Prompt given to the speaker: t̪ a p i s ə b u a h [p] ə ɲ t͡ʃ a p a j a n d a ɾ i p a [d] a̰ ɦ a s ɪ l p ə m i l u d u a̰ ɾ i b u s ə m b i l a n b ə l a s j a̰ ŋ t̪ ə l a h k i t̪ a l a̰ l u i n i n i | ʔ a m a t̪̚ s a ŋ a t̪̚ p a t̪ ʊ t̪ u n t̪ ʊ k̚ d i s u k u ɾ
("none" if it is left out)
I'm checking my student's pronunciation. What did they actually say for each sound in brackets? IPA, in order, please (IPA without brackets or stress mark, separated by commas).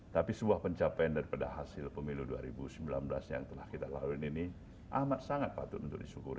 p, d